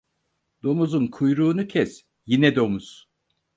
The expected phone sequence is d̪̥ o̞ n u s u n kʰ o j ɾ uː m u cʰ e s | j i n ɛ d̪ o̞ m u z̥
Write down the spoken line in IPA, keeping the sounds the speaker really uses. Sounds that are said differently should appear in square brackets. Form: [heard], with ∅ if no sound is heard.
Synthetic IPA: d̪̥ o̞ [m] u [z] u n kʰ [u] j ɾ uː [n] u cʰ [ɛ] s | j i n ɛ d̪ o̞ m u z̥